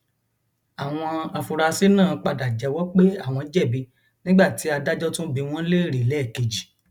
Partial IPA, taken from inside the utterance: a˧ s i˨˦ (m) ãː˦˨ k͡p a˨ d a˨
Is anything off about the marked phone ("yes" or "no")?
yes